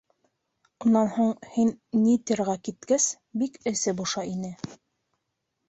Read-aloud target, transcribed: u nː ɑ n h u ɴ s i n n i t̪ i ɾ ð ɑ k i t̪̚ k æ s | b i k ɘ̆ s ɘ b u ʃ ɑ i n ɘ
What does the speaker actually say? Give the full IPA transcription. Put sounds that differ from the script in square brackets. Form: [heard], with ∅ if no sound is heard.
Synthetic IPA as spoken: u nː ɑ n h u ɴ [h] i n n i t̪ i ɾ [ʁ] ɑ k i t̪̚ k æ s | b i k ɘ̆ s ɘ b u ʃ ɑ i n ɘ